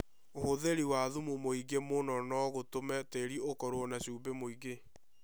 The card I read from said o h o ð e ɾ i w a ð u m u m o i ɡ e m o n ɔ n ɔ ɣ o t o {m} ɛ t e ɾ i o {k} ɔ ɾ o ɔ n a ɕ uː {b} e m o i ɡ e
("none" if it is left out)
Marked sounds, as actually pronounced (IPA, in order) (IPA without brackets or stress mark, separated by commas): m, k, b